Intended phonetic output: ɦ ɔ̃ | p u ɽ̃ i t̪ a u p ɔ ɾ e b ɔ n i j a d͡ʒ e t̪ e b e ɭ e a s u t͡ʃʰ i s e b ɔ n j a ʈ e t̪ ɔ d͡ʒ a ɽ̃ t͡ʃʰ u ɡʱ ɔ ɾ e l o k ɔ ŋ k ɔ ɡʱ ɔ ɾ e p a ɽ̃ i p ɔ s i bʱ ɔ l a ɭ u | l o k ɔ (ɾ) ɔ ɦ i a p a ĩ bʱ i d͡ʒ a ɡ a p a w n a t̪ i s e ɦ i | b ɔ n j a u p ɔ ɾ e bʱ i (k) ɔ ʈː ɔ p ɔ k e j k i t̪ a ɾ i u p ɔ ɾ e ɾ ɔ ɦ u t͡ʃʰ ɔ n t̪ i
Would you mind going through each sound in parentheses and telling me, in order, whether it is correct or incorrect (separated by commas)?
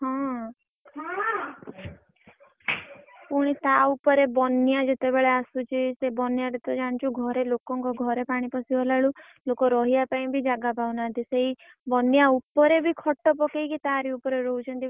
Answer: correct, incorrect